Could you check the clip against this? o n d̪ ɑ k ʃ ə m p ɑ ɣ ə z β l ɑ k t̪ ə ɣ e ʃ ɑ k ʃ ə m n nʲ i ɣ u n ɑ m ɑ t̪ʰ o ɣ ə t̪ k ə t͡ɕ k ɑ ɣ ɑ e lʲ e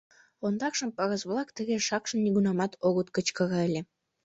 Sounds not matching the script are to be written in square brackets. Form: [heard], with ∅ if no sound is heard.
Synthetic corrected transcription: o n d̪ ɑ k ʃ ə m p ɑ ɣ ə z β l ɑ k t̪ ə ɣ e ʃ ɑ k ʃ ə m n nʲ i ɣ u n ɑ m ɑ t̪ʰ o ɣ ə t̪ k ə t͡ɕ k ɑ ɣ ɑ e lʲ e

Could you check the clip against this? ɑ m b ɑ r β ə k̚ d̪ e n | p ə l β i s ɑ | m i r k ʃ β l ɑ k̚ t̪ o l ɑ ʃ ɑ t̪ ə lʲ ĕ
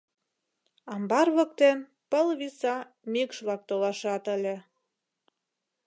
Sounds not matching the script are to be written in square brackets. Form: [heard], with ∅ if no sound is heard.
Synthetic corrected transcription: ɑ m b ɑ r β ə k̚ [t̪] e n | p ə l β i s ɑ | m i [∅] k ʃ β l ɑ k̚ t̪ o l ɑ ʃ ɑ t̪ ə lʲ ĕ

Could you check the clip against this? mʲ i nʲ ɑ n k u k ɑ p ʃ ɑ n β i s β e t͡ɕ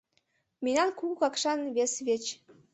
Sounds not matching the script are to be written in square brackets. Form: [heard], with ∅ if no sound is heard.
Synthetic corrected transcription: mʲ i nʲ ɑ n k u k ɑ [k] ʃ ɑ n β [e] s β e t͡ɕ

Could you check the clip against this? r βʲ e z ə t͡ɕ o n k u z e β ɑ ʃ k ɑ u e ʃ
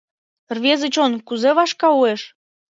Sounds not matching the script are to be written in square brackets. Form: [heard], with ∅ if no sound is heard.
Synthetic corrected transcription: r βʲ e z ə t͡ɕ o n k u z e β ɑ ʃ k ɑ u e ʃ

